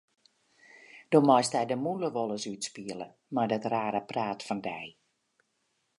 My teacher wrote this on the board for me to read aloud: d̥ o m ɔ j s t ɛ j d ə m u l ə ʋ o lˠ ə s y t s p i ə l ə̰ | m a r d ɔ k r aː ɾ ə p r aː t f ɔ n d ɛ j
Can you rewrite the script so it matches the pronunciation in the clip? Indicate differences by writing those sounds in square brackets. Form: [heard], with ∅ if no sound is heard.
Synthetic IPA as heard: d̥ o m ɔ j s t ɛ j d ə m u l ə ʋ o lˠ ə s y t s p i ə l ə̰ | m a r d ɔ [t] r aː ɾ ə p r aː t f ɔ n d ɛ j